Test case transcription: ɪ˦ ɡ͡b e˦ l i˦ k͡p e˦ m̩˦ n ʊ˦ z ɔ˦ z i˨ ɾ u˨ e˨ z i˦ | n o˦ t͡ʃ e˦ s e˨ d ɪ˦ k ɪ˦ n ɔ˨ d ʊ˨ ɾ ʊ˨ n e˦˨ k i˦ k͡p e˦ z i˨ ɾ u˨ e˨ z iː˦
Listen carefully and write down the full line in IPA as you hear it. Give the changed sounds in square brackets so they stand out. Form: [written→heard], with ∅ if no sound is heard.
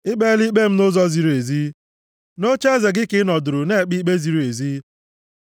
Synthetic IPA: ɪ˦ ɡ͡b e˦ l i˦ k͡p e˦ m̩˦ n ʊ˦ z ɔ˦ z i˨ ɾ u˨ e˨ z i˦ | n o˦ t͡ʃ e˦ [s→z] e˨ [d→ɡ] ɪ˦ k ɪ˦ n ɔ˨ d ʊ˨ ɾ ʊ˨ n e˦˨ [k→k͡p] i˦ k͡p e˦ z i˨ ɾ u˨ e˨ z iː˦